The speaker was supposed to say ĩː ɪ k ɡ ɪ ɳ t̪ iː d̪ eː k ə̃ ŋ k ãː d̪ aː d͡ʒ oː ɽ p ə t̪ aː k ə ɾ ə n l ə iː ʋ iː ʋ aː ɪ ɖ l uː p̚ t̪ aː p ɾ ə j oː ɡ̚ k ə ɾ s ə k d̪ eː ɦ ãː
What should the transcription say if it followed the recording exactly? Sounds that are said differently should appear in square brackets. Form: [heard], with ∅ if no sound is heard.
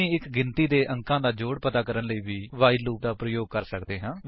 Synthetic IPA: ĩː ɪ k ɡ ɪ [n] t̪ iː d̪ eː [ʔ] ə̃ ŋ k ãː d̪ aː d͡ʒ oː ɽ p ə t̪ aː k ə ɾ ə n l ə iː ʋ iː ʋ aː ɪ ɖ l uː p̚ [d̪] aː p ɾ ə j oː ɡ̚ k ə ɾ s ə k d̪ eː ɦ ãː